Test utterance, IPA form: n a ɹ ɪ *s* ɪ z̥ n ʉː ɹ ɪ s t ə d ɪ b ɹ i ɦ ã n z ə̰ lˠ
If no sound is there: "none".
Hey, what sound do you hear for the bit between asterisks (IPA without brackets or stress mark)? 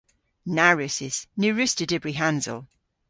s